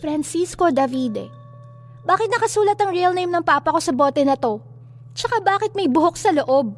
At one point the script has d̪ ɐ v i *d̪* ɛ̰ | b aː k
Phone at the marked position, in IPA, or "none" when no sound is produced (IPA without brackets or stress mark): d̪